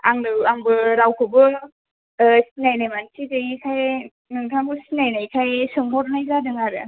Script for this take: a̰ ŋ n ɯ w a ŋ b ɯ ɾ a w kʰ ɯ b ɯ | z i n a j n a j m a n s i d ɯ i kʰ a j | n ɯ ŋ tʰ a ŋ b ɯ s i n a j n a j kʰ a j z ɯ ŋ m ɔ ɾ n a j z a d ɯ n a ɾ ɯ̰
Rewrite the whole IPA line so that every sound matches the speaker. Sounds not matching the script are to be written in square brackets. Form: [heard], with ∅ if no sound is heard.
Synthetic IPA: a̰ ŋ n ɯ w a ŋ b ɯ ɾ a w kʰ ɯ b ɯ | [s] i n a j n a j m a n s i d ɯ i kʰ a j | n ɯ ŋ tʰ a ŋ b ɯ s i n a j n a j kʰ a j [s] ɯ ŋ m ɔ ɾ n a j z a d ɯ [ŋ] a ɾ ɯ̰